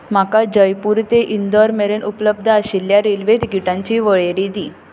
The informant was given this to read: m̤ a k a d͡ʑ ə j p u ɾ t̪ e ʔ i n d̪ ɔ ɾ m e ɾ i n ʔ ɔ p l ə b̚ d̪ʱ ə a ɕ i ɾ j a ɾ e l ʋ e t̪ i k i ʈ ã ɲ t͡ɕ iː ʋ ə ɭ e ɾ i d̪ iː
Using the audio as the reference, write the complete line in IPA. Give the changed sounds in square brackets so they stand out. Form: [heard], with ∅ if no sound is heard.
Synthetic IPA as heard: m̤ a k a d͡ʑ ə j p u ɾ t̪ e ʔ i n d̪ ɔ ɾ m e ɾ [e] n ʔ [u] p l ə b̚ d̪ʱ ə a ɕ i [l] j a ɾ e l ʋ e t̪ i k i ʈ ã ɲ t͡ɕ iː ʋ ə ɭ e ɾ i d̪ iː